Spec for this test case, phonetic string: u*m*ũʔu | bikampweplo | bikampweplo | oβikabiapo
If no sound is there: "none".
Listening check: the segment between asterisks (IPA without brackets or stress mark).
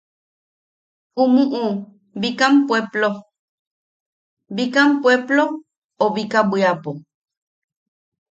m